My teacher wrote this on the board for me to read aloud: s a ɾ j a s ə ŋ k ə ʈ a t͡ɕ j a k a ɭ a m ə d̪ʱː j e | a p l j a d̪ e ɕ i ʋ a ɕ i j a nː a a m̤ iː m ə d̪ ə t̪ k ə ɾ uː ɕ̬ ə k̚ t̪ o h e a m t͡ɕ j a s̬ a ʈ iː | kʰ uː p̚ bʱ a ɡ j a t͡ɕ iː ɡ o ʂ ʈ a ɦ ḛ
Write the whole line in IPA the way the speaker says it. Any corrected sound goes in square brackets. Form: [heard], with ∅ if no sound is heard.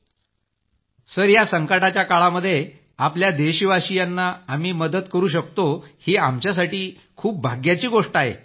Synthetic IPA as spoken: s [ə] ɾ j a s ə ŋ k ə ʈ a t͡ɕ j a k a ɭ a m ə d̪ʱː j e | a p l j a d̪ e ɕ i ʋ a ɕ i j a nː a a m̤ iː m ə d̪ ə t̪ k ə ɾ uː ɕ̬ ə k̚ t̪ o h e a m t͡ɕ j a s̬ a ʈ iː | kʰ uː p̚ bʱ a ɡ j a t͡ɕ iː ɡ o ʂ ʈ a ɦ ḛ